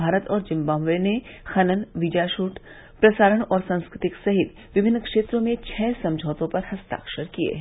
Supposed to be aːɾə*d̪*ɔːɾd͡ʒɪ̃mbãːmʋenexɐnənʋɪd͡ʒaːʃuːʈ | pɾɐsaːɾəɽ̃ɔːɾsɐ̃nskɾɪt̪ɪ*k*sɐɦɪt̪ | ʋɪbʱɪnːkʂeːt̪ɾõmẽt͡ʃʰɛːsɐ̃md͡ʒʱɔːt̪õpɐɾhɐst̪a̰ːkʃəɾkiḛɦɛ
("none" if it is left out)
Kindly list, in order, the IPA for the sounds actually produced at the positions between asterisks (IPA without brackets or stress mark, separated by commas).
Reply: t̪, k